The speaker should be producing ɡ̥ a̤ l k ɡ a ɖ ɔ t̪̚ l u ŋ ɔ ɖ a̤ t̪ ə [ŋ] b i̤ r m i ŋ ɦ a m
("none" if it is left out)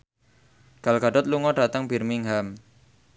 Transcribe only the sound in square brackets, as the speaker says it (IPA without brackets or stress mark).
ŋ